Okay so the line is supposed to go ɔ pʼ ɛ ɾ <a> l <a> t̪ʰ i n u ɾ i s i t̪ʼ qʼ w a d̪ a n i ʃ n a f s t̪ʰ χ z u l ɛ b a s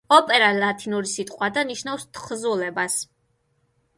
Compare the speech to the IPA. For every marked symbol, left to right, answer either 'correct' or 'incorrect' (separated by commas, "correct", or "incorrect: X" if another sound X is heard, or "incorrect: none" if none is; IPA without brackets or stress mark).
correct, correct